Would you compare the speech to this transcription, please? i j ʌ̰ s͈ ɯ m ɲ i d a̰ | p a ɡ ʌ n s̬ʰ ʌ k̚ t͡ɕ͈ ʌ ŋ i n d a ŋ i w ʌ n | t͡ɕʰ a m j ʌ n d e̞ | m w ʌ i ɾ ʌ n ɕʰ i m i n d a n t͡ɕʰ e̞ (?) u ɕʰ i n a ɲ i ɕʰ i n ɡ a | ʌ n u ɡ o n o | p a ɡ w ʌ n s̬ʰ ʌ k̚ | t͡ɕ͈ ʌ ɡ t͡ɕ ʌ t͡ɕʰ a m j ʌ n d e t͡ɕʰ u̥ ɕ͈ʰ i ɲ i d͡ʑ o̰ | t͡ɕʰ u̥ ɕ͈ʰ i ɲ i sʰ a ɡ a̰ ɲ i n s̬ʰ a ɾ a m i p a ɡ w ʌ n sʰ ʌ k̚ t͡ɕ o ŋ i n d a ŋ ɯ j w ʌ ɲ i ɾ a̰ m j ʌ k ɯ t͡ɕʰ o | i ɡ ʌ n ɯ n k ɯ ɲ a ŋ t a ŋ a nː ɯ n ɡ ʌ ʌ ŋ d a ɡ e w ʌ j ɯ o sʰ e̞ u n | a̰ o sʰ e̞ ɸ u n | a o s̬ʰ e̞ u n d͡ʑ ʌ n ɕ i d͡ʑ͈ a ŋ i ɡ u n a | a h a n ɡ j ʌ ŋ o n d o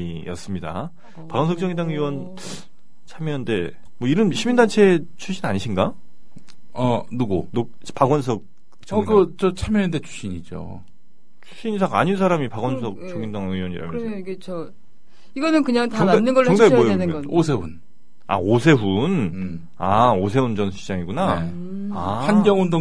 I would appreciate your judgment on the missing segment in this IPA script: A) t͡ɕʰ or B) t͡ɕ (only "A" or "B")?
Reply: A